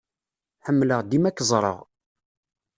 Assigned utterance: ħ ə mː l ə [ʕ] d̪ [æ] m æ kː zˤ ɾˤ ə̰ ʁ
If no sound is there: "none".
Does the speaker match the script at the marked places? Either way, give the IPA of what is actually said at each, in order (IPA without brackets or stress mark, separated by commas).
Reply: ʁ, i